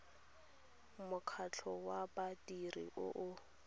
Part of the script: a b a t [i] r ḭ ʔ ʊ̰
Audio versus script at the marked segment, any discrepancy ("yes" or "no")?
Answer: no